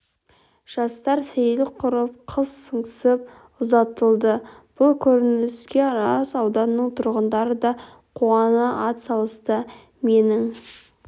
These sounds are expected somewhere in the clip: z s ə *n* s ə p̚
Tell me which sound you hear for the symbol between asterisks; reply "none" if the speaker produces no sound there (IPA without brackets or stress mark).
ɴ